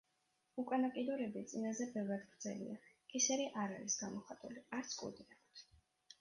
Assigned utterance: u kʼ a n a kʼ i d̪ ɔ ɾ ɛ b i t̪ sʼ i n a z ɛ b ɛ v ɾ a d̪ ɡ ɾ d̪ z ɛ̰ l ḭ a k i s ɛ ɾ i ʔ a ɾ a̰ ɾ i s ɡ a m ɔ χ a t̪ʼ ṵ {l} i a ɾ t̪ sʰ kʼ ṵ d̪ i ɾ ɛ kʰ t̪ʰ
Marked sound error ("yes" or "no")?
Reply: no